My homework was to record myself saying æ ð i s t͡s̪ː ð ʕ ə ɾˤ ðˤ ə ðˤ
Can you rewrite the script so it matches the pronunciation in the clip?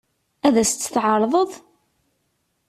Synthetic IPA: æ ð æ s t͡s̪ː θ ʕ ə ɾˤ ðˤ ə ðˤ